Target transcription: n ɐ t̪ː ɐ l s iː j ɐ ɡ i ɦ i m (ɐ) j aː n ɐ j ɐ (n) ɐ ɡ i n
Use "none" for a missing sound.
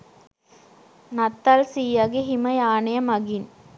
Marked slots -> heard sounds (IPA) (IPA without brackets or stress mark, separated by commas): ɐ, m